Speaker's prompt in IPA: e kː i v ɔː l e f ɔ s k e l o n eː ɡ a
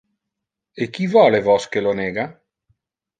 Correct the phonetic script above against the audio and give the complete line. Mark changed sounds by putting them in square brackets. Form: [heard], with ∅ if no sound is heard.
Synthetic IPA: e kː i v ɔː l e [v] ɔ s k e l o n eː ɡ a